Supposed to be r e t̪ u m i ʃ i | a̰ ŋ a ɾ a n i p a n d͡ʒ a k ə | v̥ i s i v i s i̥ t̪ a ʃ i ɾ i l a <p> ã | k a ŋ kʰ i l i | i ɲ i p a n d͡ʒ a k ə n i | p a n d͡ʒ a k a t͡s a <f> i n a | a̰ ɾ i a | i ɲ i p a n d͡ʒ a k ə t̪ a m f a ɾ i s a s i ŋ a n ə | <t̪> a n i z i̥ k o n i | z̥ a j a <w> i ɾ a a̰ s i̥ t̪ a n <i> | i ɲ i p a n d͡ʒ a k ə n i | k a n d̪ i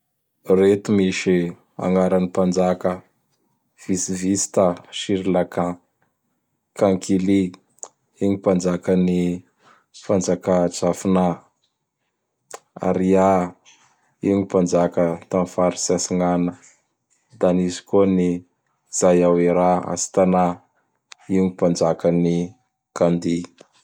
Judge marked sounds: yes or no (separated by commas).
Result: no, yes, no, yes, no